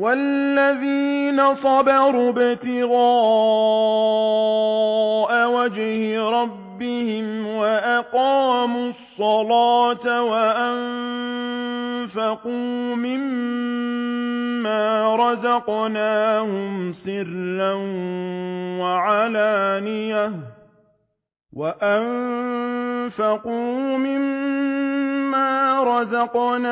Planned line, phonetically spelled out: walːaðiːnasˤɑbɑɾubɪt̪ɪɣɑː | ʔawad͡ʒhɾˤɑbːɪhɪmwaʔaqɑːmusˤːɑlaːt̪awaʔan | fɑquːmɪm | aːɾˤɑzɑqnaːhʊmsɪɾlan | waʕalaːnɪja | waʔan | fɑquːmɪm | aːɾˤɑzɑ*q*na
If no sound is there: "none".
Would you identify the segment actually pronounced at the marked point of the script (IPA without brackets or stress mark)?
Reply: q